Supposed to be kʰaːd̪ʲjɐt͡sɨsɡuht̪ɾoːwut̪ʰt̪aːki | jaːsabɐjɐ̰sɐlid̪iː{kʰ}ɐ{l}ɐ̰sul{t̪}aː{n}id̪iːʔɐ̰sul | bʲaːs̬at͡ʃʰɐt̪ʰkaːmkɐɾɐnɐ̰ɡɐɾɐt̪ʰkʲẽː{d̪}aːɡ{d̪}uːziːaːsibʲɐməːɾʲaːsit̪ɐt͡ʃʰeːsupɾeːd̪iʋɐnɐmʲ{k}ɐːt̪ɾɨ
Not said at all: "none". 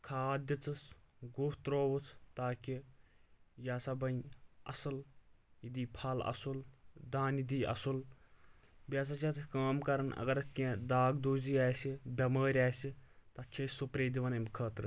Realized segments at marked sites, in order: pʰ, l, d̪, n, d̪, d̪, kʰ

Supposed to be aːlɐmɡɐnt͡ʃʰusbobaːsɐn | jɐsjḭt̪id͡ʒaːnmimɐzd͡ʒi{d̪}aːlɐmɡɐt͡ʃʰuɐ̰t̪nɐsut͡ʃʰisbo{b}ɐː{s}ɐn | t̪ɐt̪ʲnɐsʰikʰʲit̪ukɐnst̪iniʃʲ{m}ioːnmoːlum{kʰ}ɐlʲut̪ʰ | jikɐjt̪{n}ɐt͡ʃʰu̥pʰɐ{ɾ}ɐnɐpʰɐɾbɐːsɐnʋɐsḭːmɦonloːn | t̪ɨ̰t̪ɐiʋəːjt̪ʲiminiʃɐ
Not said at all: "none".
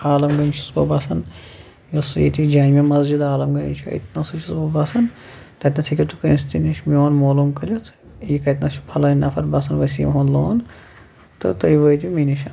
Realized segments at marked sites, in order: d̪, b, s, m, k, n, l

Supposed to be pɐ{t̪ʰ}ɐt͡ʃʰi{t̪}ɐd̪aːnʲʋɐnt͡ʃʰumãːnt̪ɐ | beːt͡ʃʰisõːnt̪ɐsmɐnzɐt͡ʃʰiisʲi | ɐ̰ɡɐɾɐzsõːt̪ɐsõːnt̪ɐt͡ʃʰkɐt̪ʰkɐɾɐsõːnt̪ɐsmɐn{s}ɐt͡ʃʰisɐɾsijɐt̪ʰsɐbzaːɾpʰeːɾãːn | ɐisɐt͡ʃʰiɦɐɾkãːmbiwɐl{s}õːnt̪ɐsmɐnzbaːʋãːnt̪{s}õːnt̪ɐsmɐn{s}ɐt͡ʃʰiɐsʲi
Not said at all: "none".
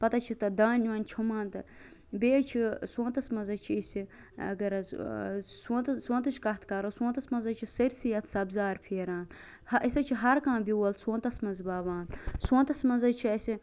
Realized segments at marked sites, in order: t̪, t̪, z, s, s, z

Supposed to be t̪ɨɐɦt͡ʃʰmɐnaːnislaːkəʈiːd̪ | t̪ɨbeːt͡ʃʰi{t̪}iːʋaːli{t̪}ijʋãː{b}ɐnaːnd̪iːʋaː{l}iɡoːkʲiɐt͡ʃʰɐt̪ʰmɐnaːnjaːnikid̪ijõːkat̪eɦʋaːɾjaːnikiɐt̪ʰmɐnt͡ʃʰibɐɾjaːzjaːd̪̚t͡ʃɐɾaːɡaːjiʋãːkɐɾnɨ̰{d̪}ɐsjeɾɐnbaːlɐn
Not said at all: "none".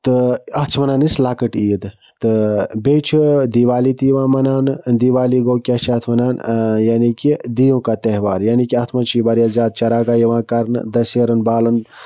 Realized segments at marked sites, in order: d̪, t̪, m, l, d̪

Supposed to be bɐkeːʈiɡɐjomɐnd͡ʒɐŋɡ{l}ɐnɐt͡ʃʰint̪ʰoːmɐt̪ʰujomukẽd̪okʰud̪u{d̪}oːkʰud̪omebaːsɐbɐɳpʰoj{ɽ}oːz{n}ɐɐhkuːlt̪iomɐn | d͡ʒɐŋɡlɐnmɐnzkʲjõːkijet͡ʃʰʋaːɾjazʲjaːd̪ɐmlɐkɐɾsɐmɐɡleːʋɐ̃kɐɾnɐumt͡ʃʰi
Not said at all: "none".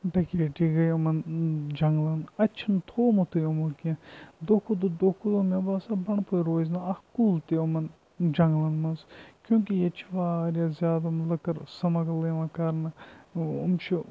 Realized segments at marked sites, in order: l, d̪, ɾ, n

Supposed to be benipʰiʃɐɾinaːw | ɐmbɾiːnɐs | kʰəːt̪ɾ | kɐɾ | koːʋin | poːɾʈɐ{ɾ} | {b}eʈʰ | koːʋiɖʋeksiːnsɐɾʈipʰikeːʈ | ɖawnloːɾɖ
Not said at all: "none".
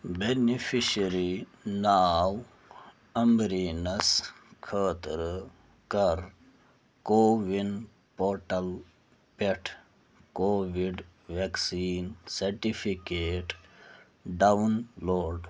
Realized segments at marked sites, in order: l, p

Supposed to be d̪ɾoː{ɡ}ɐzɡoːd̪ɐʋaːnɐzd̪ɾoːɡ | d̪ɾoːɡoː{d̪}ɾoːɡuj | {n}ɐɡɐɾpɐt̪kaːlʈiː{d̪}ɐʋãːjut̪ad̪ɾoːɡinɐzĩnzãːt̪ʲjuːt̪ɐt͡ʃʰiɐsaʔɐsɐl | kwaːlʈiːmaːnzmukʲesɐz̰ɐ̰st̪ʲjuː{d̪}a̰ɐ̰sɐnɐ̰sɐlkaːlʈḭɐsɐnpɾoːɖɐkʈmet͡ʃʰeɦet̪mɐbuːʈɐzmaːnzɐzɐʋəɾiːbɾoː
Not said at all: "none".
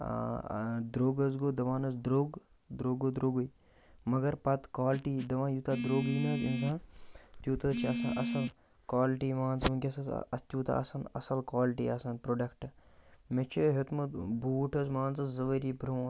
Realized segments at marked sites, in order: ɡ, d̪, m, d̪, t̪

